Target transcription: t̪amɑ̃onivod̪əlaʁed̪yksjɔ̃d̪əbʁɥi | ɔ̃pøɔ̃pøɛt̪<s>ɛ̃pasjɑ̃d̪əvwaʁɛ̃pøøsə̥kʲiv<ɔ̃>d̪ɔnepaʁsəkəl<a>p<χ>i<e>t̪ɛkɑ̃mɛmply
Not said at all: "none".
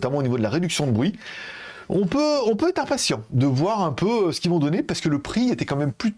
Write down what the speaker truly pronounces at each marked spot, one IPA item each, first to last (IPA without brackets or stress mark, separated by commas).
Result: χ, ɔ̃, ə, χ, e